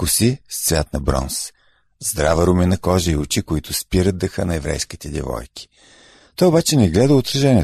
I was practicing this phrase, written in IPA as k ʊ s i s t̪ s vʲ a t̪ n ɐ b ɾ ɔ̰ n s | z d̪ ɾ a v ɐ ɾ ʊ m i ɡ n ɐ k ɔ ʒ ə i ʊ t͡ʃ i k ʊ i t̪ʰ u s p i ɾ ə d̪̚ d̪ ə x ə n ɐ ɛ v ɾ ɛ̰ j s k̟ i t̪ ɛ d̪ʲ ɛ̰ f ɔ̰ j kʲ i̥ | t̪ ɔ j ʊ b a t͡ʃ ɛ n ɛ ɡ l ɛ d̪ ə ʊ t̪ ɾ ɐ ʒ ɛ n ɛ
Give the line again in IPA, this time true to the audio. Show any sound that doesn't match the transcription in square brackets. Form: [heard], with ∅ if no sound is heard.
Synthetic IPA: k ʊ s i s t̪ s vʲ a t̪ n ɐ b ɾ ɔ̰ n s | z d̪ ɾ a v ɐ ɾ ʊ m i [∅] n ɐ k ɔ ʒ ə i ʊ t͡ʃ i k ʊ i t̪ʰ [ʊ] s p i ɾ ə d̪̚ d̪ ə x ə n ɐ ɛ v ɾ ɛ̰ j s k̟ i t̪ ɛ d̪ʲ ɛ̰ [v] ɔ̰ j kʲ i̥ | t̪ ɔ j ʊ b a t͡ʃ ɛ n ɛ ɡ l ɛ d̪ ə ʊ t̪ ɾ ɐ ʒ ɛ n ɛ